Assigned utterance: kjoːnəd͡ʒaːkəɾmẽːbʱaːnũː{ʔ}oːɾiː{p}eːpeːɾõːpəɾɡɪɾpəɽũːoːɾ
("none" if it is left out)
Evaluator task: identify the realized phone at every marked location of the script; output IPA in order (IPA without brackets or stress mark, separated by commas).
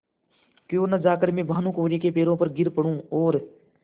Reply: k, k